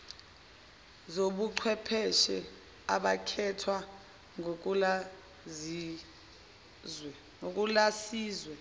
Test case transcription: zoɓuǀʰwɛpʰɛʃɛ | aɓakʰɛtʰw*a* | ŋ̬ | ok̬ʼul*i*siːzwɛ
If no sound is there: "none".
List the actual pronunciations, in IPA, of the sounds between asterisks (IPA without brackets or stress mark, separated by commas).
a, a